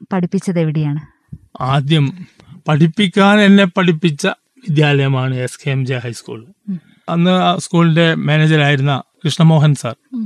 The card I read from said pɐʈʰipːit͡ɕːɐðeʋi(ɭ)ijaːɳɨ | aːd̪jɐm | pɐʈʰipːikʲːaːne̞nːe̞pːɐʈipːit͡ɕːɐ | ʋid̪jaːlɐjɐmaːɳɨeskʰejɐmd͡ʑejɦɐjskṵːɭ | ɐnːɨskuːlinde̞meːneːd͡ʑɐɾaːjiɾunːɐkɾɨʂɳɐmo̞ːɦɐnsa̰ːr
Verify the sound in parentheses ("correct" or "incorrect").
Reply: incorrect